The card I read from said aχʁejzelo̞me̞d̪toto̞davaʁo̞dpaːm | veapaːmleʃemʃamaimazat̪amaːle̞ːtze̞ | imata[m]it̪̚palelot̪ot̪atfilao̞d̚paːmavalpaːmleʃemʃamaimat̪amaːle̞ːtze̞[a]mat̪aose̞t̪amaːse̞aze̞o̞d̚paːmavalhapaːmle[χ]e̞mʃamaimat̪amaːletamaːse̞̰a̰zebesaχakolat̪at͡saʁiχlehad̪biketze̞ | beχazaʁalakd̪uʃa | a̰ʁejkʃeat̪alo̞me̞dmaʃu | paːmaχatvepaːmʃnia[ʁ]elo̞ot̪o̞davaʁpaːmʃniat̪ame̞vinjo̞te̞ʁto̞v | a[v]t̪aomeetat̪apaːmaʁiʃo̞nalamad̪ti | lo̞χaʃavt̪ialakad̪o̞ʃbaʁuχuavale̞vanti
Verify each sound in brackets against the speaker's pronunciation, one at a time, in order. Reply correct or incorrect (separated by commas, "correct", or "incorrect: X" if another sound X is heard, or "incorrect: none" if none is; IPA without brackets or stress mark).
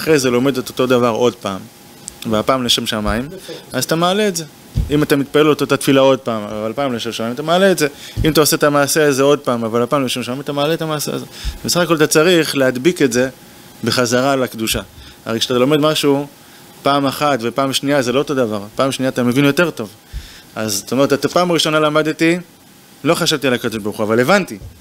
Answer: correct, incorrect: i, incorrect: ʃ, incorrect: z, incorrect: z